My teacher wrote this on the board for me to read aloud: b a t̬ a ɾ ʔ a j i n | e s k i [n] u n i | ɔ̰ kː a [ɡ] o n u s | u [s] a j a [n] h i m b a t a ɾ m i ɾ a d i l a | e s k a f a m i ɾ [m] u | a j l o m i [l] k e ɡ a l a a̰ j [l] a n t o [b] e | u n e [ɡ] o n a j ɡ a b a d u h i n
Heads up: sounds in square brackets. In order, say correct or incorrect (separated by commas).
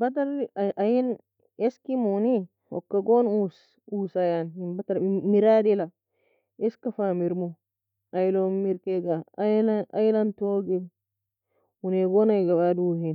incorrect, correct, correct, correct, correct, incorrect, correct, incorrect, correct